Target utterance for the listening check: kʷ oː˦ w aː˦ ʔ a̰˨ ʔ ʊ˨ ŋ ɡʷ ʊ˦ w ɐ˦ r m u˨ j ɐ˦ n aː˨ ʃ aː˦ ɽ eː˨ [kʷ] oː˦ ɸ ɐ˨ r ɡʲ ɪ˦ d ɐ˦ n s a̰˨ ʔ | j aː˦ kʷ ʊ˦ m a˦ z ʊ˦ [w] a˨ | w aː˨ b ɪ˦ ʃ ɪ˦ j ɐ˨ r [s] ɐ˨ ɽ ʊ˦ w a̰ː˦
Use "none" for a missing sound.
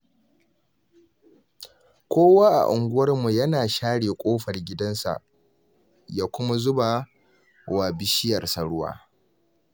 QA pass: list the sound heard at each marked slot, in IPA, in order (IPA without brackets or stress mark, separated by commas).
kʷʼ, b, s